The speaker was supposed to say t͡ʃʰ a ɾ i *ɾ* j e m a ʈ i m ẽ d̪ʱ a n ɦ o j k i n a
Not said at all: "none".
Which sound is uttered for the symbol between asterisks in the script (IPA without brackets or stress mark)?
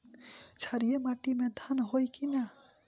none